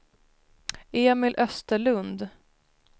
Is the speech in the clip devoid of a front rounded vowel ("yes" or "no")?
no